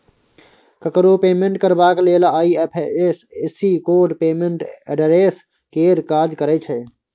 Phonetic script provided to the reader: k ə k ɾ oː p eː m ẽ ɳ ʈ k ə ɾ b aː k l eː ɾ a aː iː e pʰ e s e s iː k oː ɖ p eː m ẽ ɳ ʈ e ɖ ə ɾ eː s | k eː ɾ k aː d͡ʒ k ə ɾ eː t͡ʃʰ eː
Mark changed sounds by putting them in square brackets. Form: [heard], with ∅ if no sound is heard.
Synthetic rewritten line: k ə k ɾ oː p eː m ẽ ɳ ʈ k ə ɾ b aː k l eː [l] a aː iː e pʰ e s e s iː k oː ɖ p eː m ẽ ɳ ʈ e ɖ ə ɾ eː s | k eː ɾ k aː d͡ʒ k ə ɾ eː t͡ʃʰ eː